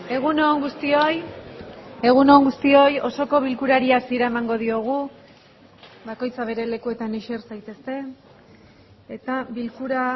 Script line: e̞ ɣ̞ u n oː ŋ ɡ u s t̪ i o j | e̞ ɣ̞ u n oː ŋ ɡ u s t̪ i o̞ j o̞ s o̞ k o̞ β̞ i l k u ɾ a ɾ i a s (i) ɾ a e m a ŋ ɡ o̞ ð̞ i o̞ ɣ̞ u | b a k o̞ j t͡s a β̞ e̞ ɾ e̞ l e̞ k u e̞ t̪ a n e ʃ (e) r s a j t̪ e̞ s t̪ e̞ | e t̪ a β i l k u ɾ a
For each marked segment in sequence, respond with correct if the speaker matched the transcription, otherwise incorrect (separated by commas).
correct, correct